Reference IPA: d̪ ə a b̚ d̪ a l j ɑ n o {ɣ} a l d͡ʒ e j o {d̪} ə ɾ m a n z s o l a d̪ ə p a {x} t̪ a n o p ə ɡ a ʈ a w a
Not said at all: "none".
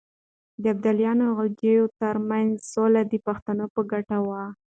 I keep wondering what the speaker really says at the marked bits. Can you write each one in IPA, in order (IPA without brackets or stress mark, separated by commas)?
ɣ, t̪, x